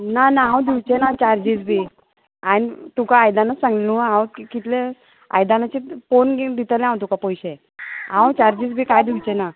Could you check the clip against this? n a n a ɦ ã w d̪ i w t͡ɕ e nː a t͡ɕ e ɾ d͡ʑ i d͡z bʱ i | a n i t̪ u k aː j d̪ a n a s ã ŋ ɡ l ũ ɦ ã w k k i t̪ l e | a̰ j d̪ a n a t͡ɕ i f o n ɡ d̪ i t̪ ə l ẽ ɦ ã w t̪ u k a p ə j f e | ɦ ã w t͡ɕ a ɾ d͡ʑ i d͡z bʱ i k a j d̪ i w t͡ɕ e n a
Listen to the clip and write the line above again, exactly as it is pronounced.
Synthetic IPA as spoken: n a n a ɦ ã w d̪ i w t͡ɕ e n a t͡ɕ a ɾ d͡ʑ i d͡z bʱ i | a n i t̪ u k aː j d̪ a n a s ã ŋ ɡ l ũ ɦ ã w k k i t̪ l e | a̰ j d̪ a n a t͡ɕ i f o n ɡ d̪ i t̪ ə l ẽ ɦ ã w t̪ u k a p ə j ɕ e | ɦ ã w t͡ɕ a ɾ d͡ʑ i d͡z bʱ i k a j d̪ i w t͡ɕ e n a